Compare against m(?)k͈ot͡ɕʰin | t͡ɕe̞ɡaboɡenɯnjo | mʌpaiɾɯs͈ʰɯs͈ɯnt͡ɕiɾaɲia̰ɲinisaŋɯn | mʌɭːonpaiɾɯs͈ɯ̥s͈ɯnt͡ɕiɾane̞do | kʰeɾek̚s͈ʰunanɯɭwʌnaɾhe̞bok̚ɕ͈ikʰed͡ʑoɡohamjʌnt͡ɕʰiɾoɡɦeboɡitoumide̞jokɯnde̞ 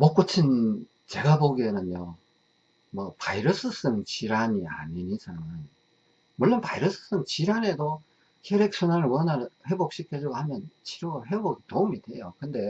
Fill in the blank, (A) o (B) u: A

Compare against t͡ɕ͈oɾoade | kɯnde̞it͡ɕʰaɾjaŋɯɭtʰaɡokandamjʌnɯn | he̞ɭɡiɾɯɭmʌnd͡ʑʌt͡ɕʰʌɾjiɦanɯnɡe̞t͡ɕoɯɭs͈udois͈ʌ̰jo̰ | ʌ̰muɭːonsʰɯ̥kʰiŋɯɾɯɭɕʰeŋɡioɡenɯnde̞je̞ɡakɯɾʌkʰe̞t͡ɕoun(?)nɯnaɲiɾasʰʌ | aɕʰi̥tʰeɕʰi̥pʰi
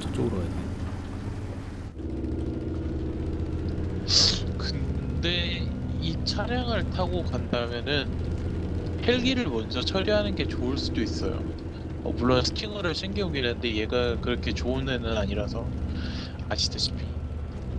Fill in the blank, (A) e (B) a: A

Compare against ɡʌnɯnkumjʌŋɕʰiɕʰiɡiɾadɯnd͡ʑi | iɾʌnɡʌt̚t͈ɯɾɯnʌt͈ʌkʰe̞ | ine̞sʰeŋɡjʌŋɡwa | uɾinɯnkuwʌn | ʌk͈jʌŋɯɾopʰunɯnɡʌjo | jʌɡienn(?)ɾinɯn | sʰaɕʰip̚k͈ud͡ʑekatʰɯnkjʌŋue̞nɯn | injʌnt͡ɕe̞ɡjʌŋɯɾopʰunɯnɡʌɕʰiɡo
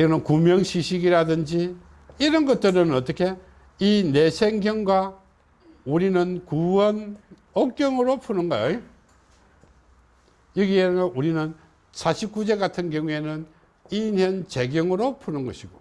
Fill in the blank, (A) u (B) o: A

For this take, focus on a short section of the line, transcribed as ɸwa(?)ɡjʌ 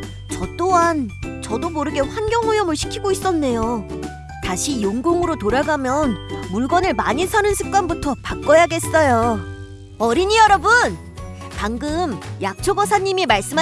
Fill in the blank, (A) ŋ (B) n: B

